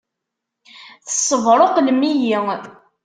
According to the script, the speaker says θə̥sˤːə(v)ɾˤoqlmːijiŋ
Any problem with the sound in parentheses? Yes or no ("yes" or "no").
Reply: no